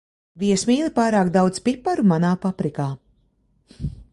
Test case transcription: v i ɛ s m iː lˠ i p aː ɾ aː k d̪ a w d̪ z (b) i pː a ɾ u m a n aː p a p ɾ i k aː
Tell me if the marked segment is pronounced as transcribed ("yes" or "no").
no